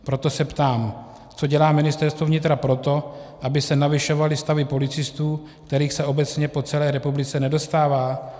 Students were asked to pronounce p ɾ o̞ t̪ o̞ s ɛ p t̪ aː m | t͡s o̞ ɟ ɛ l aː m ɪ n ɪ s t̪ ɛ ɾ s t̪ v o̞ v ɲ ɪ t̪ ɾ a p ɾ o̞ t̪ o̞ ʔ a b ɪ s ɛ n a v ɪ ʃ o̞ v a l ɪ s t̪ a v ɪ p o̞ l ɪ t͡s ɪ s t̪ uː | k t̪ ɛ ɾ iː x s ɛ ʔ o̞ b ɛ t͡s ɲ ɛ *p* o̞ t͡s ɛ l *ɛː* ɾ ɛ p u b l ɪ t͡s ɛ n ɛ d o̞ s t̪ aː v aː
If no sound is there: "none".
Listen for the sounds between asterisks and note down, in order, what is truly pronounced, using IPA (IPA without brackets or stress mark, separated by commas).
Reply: p, ɛː